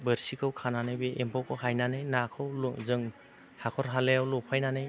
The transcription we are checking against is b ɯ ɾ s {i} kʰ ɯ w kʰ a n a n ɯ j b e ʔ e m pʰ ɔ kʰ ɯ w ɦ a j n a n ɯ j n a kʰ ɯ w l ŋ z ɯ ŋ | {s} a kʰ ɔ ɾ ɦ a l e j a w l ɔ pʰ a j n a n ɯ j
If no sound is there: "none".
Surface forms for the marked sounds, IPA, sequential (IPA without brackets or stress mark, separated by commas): i, h